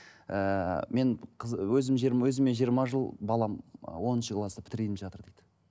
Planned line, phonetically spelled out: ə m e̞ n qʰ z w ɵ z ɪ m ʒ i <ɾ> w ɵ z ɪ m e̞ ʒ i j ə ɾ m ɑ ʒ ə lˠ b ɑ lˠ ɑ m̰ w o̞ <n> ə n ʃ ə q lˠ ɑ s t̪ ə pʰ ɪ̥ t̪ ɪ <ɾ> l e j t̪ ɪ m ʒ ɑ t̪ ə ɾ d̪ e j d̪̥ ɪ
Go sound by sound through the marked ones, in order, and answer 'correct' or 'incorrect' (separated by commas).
correct, correct, correct